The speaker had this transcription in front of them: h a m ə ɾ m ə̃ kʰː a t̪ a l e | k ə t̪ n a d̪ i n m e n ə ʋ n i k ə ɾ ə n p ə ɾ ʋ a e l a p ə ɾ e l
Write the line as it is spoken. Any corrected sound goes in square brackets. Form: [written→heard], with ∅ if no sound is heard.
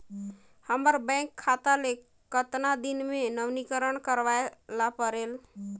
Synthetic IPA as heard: h [a→ə] m ə ɾ [m→b] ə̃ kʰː a t̪ a l e | k ə t̪ n a d̪ i n m e n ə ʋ n i k ə ɾ ə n [p→k] ə ɾ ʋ a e l a p ə ɾ e l